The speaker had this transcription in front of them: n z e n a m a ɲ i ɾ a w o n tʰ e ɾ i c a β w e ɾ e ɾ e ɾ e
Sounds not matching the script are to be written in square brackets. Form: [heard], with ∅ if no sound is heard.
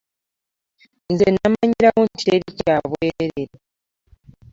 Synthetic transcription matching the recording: n z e n a m a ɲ i ɾ a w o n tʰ e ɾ i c a β w e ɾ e ɾ e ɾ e